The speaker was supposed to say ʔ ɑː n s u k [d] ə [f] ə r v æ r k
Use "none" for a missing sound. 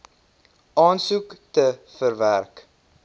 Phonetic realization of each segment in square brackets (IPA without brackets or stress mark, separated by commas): t, f